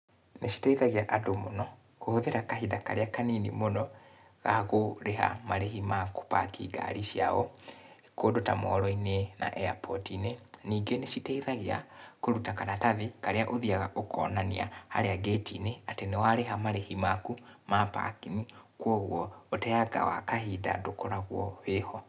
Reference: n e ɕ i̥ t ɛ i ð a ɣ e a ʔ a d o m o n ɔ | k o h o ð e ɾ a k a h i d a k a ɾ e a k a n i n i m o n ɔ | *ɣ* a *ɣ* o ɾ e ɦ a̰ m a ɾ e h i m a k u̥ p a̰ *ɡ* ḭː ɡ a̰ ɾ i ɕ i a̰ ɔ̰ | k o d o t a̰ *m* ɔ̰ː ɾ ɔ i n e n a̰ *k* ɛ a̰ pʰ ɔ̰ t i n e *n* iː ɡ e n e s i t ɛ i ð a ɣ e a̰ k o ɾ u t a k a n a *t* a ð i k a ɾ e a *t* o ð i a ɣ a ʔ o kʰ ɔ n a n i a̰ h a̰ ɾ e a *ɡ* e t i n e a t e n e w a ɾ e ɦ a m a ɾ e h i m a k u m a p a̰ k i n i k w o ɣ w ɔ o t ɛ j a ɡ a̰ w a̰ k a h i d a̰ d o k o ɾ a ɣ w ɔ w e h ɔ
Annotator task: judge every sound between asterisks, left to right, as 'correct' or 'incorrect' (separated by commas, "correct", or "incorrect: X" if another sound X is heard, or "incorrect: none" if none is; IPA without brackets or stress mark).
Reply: correct, correct, incorrect: k, correct, incorrect: ʔ, correct, correct, incorrect: ʔ, correct